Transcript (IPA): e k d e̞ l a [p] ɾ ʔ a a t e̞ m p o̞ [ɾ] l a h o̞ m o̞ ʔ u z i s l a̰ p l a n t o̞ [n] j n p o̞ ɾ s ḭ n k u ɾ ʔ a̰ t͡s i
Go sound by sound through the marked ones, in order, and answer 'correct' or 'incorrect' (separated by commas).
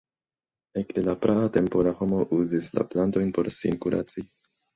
correct, incorrect, incorrect